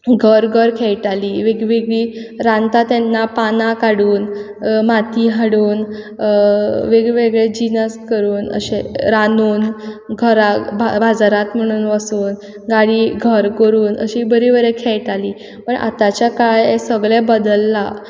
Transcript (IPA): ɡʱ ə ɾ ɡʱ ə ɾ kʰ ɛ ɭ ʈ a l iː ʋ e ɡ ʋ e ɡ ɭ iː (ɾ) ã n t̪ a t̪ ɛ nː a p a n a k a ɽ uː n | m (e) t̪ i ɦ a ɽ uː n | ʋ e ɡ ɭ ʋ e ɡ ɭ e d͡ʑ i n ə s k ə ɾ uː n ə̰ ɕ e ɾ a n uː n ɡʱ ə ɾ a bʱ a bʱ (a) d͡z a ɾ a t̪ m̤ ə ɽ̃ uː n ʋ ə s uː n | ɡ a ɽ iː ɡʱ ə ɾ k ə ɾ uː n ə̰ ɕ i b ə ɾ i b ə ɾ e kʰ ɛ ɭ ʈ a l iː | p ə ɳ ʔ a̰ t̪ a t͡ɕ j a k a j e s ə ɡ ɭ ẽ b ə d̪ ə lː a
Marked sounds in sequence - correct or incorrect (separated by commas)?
correct, incorrect, correct